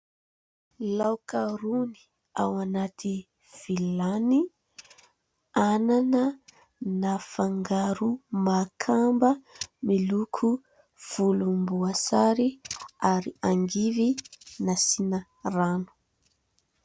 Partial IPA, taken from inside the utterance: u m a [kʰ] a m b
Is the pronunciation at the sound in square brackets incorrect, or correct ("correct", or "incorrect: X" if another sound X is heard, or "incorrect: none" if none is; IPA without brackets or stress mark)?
correct